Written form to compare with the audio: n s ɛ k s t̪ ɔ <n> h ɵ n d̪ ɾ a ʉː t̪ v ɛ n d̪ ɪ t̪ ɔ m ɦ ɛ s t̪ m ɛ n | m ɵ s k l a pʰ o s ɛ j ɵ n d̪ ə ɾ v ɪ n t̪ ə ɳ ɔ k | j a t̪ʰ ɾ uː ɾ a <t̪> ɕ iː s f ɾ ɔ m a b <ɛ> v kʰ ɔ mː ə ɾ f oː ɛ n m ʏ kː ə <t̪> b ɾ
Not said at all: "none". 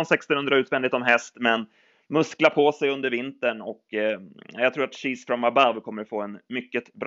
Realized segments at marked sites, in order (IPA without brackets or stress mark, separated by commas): n, t̪, a, t̪